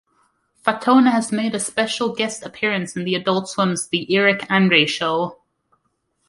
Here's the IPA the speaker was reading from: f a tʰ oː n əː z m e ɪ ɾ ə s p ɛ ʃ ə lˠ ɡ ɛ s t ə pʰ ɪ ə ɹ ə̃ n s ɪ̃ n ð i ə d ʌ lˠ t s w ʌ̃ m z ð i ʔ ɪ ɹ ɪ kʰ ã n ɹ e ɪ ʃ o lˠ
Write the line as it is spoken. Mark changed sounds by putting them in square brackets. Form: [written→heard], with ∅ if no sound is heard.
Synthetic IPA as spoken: f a tʰ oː n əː z m e ɪ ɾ ə s p ɛ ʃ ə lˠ ɡ ɛ s t ə pʰ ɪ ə ɹ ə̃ n s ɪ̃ n ð i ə d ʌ lˠ t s w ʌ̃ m z ð i ʔ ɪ ɹ ɪ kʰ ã n ɹ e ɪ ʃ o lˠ

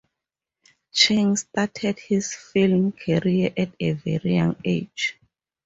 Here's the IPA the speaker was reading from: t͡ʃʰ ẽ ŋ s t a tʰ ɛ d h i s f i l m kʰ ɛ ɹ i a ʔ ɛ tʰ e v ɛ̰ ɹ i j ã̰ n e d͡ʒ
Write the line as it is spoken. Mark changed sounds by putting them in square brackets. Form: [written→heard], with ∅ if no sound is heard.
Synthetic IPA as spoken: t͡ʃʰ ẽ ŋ s t a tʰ ɛ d h i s f i l m kʰ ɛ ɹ i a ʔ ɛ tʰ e v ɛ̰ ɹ i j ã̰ [n→ŋ] e d͡ʒ

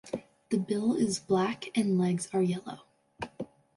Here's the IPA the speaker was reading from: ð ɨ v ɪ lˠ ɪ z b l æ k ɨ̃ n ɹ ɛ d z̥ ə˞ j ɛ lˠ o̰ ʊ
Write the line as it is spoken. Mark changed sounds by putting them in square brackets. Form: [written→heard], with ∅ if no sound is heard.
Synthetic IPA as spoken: ð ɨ [v→b] ɪ lˠ ɪ z b l æ k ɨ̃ n [ɹ→l] ɛ [d→ɡ] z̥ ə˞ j ɛ lˠ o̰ ʊ

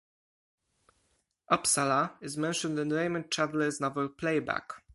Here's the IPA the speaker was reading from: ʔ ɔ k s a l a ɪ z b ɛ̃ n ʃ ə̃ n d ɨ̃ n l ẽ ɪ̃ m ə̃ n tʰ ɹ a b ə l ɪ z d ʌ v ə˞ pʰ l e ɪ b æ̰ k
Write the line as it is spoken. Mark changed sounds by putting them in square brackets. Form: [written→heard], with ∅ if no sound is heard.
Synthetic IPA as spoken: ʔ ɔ [k→p] s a l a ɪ z [b→m] ɛ̃ n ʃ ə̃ n d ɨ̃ n [l→ɹ] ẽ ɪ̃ m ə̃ n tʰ ɹ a [b→v] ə l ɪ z [d→n] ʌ v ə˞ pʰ l e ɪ b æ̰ k

